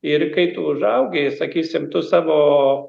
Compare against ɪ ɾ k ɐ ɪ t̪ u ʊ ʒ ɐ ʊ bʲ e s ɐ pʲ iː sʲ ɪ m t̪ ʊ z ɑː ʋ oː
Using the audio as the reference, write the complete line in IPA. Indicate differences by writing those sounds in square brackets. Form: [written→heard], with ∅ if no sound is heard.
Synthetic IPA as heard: ɪ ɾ k ɐ ɪ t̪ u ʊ ʒ ɐ ʊ [bʲ→ɡʲ] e s ɐ [pʲ→kʲ] iː sʲ ɪ m t̪ ʊ [z→s] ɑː ʋ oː

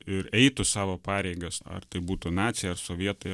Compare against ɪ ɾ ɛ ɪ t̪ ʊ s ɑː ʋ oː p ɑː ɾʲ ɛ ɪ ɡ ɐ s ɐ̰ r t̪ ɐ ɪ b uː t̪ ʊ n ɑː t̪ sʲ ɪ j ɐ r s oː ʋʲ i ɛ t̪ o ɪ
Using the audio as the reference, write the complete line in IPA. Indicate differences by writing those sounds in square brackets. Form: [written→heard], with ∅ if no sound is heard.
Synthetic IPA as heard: ɪ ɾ ɛ ɪ t̪ ʊ s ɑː ʋ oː p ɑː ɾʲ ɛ ɪ ɡ ɐ s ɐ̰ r t̪ ɐ ɪ b uː t̪ ʊ n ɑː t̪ sʲ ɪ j ɐ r s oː ʋʲ i ɛ t̪ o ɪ

